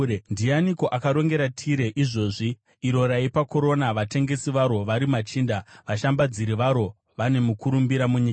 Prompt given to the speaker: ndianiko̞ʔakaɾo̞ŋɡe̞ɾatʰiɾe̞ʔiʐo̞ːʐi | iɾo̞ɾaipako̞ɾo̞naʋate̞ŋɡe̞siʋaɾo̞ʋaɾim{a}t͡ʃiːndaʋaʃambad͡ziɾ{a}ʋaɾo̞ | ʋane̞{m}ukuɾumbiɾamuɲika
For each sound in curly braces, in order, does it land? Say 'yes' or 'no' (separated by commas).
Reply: yes, no, yes